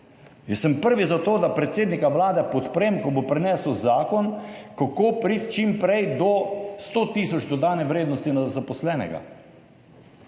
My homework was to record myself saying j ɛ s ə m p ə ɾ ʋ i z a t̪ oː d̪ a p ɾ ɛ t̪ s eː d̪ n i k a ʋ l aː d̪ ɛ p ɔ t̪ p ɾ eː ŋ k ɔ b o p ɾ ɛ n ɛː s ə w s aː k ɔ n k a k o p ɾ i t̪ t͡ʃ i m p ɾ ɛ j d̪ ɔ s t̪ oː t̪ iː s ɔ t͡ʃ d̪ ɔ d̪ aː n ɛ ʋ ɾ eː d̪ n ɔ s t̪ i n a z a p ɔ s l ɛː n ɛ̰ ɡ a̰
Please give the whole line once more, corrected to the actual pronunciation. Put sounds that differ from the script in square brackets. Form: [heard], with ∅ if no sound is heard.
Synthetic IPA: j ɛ s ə m p ə ɾ ʋ i z a t̪ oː d̪ a p ɾ ɛ t̪ s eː d̪ n i k a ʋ l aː d̪ ɛ p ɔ t̪ p ɾ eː [m] k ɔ b o p ɾ ɛ n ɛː s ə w [z] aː k ɔ n k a k o p ɾ i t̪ t͡ʃ i m p ɾ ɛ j d̪ ɔ s t̪ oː t̪ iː s ɔ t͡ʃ d̪ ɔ d̪ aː n ɛ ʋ ɾ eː d̪ n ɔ s t̪ i n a z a p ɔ s l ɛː n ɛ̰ ɡ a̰

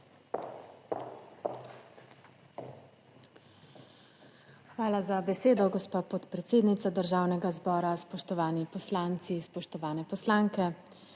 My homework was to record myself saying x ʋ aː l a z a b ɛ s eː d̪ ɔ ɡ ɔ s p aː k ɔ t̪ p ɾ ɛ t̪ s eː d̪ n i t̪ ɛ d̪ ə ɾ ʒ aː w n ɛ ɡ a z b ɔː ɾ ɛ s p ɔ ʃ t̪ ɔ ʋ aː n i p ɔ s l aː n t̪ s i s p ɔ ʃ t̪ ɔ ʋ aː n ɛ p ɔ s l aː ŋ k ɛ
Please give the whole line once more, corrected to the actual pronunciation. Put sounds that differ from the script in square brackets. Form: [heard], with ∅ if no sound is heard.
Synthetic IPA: x ʋ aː l a z a b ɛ s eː d̪ ɔ ɡ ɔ s p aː [p] ɔ t̪ p ɾ ɛ t̪ s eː d̪ n i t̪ [a] d̪ ə ɾ ʒ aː w n ɛ ɡ a z b ɔː ɾ [a] s p ɔ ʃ t̪ ɔ ʋ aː n i p ɔ s l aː n t̪ s i s p ɔ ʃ t̪ ɔ ʋ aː n ɛ p ɔ s l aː ŋ k ɛ

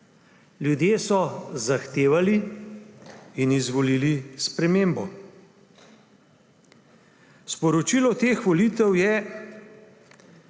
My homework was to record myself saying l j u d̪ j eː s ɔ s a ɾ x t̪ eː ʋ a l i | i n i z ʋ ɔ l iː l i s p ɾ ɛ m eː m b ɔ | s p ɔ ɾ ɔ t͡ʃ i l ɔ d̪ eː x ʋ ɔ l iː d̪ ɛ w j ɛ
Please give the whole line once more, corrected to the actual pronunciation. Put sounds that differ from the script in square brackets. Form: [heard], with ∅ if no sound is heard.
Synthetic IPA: l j u d̪ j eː s ɔ [z] a [∅] x t̪ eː ʋ a l i | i n i z ʋ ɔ l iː l i s p ɾ ɛ m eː m b ɔ | s p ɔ ɾ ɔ t͡ʃ i l ɔ [t̪] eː x ʋ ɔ l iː [t̪] ɛ w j ɛ

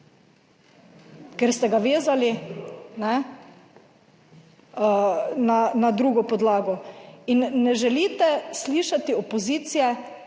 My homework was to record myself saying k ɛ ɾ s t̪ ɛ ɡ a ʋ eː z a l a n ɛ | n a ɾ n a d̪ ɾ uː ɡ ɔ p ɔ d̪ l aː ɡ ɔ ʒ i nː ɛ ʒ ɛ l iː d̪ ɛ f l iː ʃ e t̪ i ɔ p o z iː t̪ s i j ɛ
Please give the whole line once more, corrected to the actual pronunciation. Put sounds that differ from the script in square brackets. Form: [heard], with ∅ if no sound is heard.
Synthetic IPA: k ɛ ɾ s t̪ ɛ ɡ a ʋ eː z a l [i] n ɛ | n a [∅] n a d̪ ɾ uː ɡ ɔ p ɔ d̪ l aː ɡ ɔ [∅] i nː ɛ ʒ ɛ l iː [t̪] ɛ [s] l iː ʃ [a] t̪ i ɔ p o z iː t̪ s i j ɛ

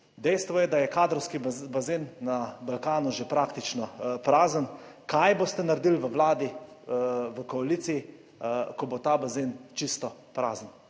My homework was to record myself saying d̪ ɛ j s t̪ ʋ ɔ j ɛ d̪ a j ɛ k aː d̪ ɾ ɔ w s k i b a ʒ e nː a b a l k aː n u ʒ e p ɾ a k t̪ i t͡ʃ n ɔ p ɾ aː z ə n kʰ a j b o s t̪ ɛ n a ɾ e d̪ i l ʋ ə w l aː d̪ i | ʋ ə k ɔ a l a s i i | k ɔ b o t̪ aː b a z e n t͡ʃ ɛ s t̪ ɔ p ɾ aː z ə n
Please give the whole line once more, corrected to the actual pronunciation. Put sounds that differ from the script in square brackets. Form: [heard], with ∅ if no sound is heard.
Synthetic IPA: d̪ ɛ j s t̪ ʋ ɔ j ɛ d̪ a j ɛ k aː d̪ ɾ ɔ w s k i b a [z] e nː a b a l k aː n u ʒ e p ɾ a k t̪ i t͡ʃ n ɔ p ɾ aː z ə n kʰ a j b o s t̪ ɛ n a ɾ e d̪ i l ʋ ə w l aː d̪ i | ʋ ə k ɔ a l [i] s i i | k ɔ b o t̪ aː b a z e n t͡ʃ [i] s t̪ ɔ p ɾ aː z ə n

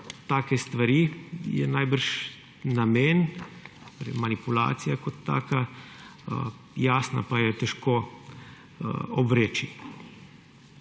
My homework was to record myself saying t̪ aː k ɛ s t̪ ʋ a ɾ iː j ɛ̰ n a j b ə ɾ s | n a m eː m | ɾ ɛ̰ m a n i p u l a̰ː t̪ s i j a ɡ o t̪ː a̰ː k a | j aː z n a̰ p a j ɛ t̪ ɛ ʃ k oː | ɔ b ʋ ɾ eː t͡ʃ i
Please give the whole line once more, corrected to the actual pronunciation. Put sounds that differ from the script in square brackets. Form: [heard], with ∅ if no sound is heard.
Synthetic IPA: t̪ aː k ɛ s t̪ ʋ a ɾ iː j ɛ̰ n a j b ə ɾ [ʃ] | n a m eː [n] | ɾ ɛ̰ m a n i p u l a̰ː t̪ s i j a [k] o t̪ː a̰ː k a | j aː [s] n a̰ p a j ɛ t̪ ɛ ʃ k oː | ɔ b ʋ ɾ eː t͡ʃ i

